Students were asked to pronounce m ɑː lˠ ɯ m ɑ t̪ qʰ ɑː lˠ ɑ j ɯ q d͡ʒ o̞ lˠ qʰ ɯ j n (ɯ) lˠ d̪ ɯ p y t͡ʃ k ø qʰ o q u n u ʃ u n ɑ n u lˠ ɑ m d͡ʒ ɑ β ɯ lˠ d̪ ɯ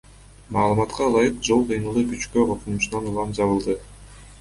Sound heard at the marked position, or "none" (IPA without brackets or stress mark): ɯ